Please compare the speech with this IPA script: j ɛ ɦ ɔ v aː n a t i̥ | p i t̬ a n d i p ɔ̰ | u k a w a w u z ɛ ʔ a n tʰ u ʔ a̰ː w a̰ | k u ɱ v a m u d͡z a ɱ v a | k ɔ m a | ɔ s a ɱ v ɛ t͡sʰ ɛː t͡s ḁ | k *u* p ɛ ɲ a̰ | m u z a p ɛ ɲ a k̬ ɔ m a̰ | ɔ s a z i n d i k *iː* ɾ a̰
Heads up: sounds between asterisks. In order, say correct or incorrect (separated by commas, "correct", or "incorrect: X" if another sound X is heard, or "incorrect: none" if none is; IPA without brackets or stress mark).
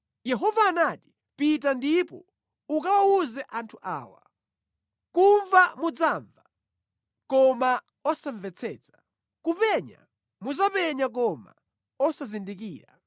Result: correct, correct